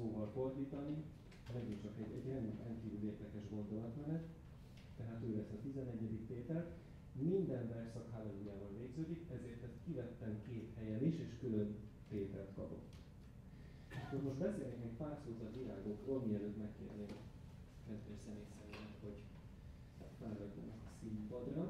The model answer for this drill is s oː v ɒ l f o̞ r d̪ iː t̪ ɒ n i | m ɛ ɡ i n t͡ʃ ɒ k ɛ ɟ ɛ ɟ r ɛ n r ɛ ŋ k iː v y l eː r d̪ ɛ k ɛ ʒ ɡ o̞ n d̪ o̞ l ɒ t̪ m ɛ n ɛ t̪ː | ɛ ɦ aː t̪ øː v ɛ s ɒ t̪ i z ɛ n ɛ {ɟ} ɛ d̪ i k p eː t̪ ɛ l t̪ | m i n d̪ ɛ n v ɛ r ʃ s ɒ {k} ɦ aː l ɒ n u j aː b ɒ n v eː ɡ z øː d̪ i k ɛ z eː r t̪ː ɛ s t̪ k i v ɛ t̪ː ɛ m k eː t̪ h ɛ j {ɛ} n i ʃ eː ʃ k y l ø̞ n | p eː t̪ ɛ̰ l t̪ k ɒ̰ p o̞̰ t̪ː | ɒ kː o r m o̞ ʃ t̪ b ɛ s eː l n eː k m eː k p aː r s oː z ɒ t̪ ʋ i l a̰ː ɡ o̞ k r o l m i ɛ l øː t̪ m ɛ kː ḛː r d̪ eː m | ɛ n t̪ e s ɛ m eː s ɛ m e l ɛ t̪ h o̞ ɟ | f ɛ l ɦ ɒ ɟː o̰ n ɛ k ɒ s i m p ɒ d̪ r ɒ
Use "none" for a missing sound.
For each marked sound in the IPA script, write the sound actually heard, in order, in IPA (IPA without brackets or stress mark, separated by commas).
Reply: ɟː, k, ɛ